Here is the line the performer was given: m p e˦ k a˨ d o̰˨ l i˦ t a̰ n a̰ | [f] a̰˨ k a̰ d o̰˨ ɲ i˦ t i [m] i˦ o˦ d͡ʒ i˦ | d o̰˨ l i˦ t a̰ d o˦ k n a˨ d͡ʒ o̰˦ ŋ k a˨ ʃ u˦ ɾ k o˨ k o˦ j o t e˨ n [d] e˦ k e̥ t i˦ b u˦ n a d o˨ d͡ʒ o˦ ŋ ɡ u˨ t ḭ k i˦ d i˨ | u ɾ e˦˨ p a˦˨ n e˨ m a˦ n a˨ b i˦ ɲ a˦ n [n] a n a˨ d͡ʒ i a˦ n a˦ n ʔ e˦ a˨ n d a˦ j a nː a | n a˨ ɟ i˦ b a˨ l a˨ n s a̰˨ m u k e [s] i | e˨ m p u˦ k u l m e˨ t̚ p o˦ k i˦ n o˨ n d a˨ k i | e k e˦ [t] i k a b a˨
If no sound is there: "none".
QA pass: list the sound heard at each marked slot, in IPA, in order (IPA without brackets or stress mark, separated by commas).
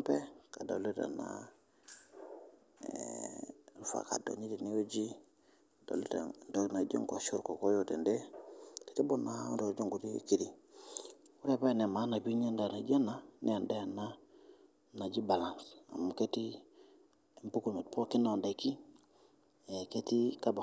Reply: f, n, d, d, t, t